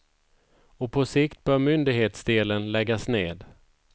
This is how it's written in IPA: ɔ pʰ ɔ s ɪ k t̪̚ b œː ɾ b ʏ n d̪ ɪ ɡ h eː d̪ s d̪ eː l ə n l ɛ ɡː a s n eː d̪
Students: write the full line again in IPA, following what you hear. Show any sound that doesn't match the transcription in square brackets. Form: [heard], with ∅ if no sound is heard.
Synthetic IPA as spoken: ɔ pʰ ɔ s ɪ k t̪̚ b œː ɾ [m] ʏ n d̪ ɪ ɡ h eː [t̪] s d̪ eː l ə n l ɛ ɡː a s n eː d̪